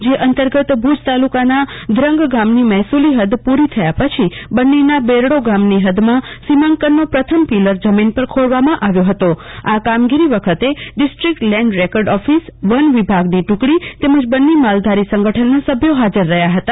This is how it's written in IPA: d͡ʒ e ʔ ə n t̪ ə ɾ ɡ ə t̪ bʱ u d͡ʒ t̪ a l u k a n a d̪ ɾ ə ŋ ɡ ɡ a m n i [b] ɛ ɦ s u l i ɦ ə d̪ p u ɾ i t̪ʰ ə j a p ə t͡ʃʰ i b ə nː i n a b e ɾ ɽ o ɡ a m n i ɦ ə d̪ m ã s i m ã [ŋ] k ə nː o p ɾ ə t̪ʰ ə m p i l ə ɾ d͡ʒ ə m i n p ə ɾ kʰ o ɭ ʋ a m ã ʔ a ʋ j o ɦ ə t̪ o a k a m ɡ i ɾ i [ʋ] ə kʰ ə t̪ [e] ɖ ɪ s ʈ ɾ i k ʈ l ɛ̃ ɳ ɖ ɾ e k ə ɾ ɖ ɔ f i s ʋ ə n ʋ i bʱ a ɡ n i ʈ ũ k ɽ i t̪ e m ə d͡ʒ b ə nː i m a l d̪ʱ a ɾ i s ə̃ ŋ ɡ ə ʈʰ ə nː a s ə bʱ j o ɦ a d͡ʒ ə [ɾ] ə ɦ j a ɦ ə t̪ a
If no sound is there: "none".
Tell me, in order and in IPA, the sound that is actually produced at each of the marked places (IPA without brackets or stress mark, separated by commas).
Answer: m, ŋ, ʋ, e, ɾː